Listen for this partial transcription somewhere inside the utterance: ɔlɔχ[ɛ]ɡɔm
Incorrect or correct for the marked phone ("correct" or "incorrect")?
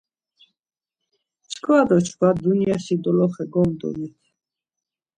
correct